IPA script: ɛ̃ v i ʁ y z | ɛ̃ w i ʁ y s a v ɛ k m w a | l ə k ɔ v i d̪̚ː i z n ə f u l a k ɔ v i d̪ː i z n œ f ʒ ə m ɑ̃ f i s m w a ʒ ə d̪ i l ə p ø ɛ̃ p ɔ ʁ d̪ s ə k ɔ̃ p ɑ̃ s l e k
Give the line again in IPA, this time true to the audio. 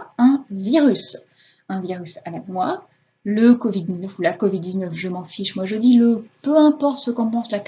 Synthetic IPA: ɛ̃ v i ʁ y s | ɛ̃ v i ʁ y s a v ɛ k m w a | l ə k ɔ v i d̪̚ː i z n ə f u l a k ɔ v i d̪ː i z n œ f ʒ ə m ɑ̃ f i ʃ m w a ʒ ə d̪ i l ə p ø ɛ̃ p ɔ ʁ t̪ s ə k ɔ̃ p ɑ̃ s l a k

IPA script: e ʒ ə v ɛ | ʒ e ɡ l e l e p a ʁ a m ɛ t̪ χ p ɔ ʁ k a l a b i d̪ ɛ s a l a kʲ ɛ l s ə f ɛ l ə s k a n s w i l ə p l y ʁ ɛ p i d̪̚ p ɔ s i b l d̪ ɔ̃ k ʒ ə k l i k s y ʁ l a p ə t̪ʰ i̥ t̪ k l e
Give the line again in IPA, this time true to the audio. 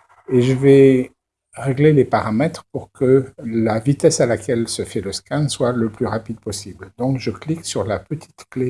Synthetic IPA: e ʒ ə v ɛ | ʁ e ɡ l e l e p a ʁ a m ɛ t̪ χ p u ʁ k ə l a v i t̪ ɛ s a l a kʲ ɛ l s ə f ɛ l ə s k a n s w a l ə p l y ʁ a p i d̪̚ p ɔ s i b l d̪ ɔ̃ k ʒ ə k l i k s y ʁ l a p ə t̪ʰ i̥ t̪ k l e

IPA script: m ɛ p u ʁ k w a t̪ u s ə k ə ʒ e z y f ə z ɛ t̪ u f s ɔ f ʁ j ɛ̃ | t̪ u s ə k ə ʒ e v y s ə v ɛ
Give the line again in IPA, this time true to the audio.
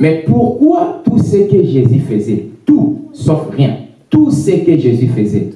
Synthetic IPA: m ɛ p u ʁ k w a t̪ u s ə k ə ʒ e z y f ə z ɛ t̪ u s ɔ f ʁ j ɛ̃ | t̪ u s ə k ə ʒ e z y f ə z ɛ

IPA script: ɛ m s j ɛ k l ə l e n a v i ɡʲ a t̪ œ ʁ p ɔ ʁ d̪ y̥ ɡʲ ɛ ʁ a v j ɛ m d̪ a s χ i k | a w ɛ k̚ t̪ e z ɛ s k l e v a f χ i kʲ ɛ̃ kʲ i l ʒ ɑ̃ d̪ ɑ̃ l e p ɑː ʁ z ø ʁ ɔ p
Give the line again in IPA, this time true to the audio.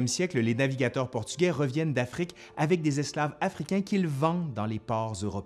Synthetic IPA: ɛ m s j ɛ k l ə l e n a v i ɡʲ a t̪ œ ʁ p ɔ ʁ t̪ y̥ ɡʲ ɛ ʁ ə v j ɛ n d̪ a f χ i k | a v ɛ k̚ d̪ e z ɛ s k l a v a f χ i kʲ ɛ̃ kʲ i l v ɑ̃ d̪ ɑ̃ l e p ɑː ʁ z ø ʁ ɔ p

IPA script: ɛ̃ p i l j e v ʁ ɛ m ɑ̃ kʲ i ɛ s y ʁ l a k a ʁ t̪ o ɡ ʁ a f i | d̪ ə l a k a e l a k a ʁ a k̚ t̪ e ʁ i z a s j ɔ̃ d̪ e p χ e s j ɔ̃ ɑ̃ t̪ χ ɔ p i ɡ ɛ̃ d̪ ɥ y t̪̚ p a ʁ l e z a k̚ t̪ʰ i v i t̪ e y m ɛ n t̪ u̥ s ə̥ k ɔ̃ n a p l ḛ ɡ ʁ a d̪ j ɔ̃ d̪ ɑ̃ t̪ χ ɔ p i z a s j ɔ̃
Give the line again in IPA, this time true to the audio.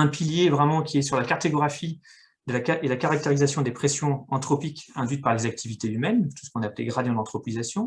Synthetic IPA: ɛ̃ p i l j e v ʁ ɛ m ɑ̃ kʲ i ɛ s y ʁ l a k a ʁ t̪ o ɡ ʁ a f i | d̪ ə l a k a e l a k a ʁ a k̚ t̪ e ʁ i z a s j ɔ̃ d̪ e p χ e s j ɔ̃ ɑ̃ t̪ χ ɔ p i k ɛ̃ d̪ ɥ y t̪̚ p a ʁ l e z a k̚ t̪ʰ i v i t̪ e y m ɛ n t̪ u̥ s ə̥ k ɔ̃ n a p l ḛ ɡ ʁ a d̪ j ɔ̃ d̪ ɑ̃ t̪ χ ɔ p i z a s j ɔ̃

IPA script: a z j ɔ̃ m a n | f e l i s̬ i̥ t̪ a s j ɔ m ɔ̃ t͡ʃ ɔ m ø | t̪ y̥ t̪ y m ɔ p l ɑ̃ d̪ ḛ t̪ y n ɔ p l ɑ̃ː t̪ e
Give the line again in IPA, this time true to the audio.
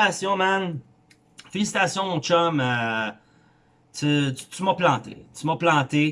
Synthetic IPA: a s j ɔ̃ m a n | f e l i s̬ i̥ t̪ a s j ɔ̃ m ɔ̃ t͡ʃ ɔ m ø | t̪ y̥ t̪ y m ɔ p l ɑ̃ t̪ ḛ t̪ y m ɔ p l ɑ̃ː t̪ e

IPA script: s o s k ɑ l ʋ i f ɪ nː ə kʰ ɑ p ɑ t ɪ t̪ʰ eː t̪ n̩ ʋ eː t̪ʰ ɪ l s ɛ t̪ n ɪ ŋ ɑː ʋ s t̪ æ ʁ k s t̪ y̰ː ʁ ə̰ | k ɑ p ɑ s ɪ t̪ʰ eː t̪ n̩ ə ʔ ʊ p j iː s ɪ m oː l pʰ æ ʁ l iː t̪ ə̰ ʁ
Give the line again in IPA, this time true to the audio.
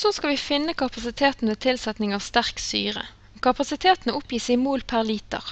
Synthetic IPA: s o s k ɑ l ʋ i f ɪ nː ə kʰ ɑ p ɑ s ɪ t̪ʰ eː t̪ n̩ ʋ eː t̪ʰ ɪ l s ɛ t̪ n ɪ ŋ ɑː ʋ s t̪ æ ʁ k s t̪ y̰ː ʁ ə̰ | k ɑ p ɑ s ɪ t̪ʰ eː t̪ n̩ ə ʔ ʊ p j iː s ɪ m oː l pʰ æ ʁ l iː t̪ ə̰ ʁ

